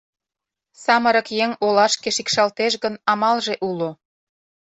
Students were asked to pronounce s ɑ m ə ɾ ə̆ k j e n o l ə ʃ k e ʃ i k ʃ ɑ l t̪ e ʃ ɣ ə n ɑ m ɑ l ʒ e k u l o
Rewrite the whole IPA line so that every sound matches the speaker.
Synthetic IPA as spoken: s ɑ m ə ɾ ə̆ k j e ŋ o l ɑ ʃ k e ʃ i k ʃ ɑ l t̪ e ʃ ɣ ə n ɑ m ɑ l ʒ e ʔ u l o